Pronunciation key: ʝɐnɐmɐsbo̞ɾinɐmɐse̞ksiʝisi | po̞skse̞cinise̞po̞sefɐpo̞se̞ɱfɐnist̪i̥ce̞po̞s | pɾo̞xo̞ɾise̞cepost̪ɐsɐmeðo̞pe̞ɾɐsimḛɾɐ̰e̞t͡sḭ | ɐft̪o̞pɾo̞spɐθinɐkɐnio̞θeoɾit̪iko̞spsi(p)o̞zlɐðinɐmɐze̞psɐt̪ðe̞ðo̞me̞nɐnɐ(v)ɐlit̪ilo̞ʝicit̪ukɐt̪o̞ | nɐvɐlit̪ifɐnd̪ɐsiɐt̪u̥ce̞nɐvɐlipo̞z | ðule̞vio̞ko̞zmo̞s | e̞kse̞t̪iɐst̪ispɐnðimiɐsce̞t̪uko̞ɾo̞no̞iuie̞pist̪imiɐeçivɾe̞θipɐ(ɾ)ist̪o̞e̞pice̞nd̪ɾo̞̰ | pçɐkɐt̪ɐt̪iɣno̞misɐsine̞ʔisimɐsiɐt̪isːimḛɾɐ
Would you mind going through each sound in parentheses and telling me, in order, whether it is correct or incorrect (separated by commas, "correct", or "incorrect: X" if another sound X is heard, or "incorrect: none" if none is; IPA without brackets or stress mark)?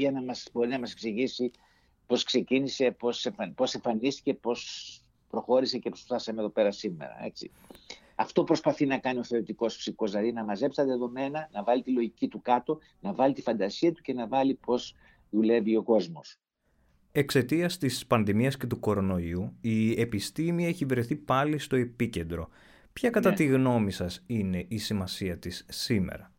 incorrect: k, correct, incorrect: l